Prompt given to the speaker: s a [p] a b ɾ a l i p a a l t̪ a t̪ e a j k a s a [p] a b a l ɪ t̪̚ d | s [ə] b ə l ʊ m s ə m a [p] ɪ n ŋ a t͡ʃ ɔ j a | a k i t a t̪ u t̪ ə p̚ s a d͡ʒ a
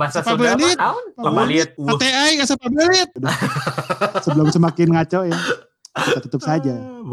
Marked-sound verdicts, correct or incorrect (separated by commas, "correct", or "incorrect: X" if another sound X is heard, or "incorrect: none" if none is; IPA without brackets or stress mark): correct, correct, correct, incorrect: k